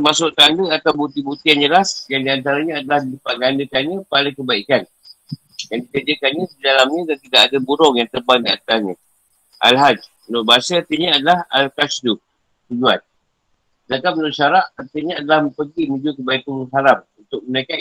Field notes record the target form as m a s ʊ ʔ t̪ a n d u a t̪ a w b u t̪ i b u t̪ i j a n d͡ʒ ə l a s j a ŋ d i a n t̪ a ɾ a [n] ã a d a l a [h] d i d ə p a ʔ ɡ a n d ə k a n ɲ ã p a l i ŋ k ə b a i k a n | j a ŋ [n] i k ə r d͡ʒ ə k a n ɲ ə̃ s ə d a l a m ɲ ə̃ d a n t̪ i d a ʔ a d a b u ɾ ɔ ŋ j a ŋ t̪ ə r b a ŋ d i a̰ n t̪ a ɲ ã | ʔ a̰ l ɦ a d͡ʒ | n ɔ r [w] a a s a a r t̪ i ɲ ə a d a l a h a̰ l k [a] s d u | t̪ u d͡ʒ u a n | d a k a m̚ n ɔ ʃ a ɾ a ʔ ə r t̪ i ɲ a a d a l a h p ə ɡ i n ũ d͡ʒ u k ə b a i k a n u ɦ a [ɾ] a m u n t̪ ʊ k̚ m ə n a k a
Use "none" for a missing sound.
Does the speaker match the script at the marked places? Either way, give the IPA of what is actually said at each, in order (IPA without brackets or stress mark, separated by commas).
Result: ɲ, h, d, b, a, ɾ